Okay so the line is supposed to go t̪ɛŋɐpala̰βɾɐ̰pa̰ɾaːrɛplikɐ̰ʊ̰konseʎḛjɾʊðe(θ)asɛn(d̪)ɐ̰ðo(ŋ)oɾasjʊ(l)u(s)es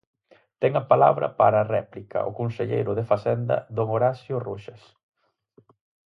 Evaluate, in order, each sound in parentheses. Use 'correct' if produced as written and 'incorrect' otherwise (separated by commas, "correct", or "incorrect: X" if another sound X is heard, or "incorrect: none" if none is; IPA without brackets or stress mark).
incorrect: f, correct, correct, incorrect: r, incorrect: ʃ